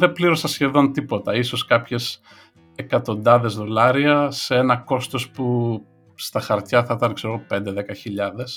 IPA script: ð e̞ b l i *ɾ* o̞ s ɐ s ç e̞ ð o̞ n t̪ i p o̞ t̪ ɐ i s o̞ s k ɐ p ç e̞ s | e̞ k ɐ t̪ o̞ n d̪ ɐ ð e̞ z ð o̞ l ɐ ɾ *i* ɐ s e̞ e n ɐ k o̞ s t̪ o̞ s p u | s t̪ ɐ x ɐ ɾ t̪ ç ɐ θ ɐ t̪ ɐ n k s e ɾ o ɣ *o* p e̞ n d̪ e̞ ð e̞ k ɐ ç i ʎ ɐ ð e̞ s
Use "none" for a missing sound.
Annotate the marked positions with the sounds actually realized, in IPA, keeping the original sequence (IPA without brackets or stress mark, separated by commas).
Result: ɾ, i, o